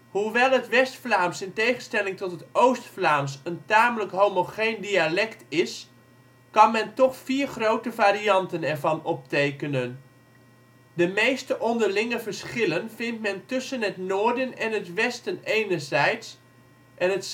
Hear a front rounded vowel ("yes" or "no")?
no